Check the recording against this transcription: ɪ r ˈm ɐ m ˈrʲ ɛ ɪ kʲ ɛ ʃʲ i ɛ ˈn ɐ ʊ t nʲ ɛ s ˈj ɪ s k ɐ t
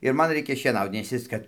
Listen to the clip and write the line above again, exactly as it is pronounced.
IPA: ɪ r ˈm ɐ n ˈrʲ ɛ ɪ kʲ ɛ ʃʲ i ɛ ˈn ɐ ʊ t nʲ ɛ s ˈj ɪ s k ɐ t